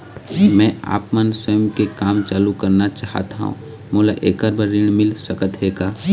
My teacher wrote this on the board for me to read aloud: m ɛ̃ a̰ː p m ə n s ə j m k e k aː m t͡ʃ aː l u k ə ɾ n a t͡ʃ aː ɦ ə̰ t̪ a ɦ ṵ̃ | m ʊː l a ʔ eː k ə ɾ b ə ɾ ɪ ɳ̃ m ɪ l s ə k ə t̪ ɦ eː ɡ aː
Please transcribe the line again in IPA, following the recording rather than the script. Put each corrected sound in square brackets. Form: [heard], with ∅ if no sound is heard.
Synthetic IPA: m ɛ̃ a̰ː p m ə n s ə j m k e k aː m t͡ʃ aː l u k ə ɾ n a t͡ʃ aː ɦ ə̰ t̪ a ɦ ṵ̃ | m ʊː l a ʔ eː k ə ɾ b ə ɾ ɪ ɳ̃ m ɪ l s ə k ə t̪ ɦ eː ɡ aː